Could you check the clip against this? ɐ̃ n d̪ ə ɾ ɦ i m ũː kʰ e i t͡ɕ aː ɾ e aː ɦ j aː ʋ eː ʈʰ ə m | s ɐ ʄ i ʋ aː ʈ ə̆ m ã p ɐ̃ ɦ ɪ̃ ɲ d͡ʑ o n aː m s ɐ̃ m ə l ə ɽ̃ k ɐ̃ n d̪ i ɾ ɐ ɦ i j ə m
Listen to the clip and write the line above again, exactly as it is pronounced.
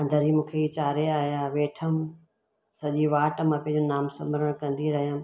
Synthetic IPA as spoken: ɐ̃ n d̪ ə ɾ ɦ i m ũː kʰ e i t͡ɕ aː ɾ e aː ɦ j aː ʋ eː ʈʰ ə m | s ɐ ʄ i ʋ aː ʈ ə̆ m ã p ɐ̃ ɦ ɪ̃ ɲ d͡ʑ o n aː m s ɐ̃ m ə ɾ ə ɽ̃ k ɐ̃ n d̪ i ɾ ɐ ɦ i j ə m

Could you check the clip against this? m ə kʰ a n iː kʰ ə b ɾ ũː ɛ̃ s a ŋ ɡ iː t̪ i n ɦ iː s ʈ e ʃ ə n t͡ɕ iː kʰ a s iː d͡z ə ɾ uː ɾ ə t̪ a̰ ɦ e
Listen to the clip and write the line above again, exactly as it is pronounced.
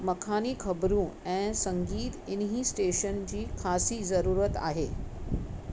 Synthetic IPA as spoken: m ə kʰ a n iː kʰ ə b ɾ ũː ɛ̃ s ə ŋ ɡ iː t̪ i n ɦ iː s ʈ e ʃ ə n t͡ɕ iː kʰ a s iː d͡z ə ɾ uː ɾ ə t̪ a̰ ɦ e

